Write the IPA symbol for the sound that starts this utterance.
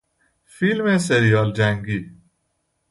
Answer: f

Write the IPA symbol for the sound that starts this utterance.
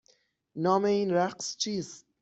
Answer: n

